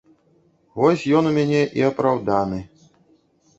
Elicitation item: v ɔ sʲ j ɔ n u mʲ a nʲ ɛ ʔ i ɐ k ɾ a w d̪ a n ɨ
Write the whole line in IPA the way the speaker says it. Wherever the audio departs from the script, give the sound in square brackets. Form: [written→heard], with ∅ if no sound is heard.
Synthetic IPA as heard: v ɔ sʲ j ɔ n u mʲ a nʲ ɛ ʔ i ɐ [k→p] ɾ a w d̪ a n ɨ